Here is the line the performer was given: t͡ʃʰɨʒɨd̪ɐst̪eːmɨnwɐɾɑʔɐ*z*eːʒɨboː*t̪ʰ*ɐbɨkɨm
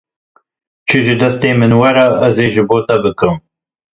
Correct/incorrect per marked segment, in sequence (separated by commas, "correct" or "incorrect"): correct, incorrect